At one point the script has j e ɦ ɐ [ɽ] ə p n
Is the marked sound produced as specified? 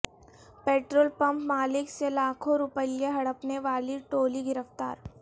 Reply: yes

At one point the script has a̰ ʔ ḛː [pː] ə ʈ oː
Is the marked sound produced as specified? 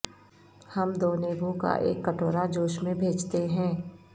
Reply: no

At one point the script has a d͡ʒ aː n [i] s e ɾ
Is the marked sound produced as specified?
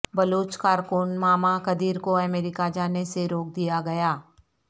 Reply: no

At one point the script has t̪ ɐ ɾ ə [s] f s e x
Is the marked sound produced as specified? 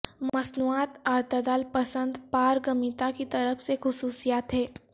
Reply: no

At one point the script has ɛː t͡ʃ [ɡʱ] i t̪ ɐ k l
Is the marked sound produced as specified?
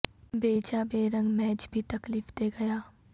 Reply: no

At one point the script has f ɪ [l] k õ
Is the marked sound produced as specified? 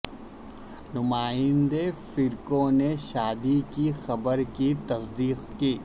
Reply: no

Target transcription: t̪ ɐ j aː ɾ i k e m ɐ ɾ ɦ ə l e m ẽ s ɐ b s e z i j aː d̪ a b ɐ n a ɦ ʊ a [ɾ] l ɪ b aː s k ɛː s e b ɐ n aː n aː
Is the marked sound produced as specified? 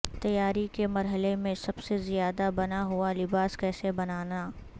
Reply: no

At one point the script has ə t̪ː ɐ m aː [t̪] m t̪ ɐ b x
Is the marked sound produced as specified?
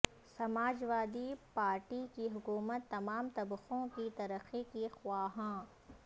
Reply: no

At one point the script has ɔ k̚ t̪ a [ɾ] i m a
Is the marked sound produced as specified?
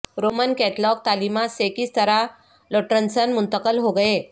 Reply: no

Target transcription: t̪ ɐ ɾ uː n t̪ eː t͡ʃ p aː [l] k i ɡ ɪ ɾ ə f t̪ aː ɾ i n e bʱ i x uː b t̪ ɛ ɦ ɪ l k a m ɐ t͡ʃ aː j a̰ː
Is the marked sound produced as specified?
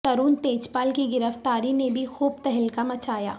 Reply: yes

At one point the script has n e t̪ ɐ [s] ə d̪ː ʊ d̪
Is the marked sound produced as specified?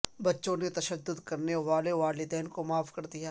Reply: no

